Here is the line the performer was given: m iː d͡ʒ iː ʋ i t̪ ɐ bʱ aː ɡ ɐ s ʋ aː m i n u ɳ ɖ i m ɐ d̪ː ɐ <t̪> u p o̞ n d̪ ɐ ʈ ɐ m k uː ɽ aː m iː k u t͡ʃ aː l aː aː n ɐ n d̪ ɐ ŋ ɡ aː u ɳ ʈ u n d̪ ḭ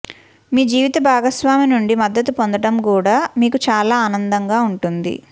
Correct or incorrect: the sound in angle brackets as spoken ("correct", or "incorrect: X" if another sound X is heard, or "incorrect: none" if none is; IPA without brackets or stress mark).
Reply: correct